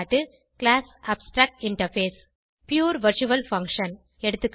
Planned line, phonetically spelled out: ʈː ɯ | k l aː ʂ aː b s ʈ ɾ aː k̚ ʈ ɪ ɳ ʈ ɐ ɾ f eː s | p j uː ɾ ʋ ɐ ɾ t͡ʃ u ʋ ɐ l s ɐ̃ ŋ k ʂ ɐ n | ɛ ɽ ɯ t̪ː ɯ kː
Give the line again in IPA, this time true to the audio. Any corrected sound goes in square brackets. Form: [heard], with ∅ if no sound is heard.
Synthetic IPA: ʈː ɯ | k l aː [s] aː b s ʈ ɾ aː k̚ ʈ ɪ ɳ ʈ ɐ ɾ f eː s | p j uː ɾ ʋ ɐ ɾ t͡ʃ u ʋ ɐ l [f] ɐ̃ ŋ k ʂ ɐ n | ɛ ɽ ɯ t̪ː ɯ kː